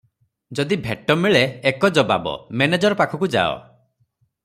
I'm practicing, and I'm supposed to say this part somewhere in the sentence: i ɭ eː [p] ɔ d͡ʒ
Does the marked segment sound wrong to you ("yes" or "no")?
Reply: yes